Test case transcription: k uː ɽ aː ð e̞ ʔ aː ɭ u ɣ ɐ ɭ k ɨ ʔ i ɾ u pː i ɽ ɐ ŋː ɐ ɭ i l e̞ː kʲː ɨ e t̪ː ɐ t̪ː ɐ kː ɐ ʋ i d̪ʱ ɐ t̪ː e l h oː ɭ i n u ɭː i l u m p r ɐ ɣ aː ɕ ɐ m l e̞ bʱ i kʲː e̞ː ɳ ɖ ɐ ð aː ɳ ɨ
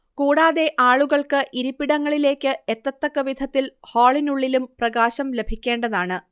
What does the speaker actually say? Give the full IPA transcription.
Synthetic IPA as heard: k uː ɽ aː ð e̞ ʔ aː ɭ u ɣ ɐ ɭ k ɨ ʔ i ɾ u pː i ɽ ɐ ŋː ɐ ɭ i l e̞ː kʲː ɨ e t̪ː ɐ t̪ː ɐ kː ɐ ʋ i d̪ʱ ɐ t̪ː i l h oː ɭ i n u ɭː i l u m p r ɐ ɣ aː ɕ ɐ m l e̞ bʱ i kʲː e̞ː ɳ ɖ ɐ ð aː ɳ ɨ